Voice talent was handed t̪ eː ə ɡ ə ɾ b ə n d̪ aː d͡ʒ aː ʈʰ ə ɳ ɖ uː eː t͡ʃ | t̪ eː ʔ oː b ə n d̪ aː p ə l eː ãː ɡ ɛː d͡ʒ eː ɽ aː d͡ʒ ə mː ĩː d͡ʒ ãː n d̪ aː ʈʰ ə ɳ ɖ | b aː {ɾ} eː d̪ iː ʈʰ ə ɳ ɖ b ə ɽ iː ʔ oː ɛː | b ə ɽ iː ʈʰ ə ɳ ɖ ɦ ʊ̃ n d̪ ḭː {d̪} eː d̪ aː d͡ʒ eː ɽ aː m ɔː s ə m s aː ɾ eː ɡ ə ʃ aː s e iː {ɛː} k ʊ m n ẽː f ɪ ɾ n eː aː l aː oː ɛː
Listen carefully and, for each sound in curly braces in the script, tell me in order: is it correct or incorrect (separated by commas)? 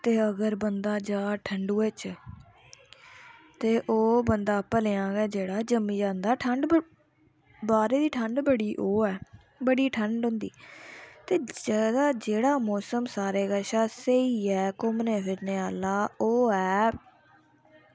correct, incorrect, correct